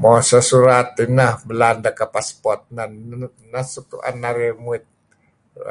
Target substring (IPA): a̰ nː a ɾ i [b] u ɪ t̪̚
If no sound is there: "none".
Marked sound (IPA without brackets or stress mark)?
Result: m